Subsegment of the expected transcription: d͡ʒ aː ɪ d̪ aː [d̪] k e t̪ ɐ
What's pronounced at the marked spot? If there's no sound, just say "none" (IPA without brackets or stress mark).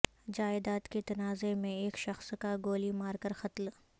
t̪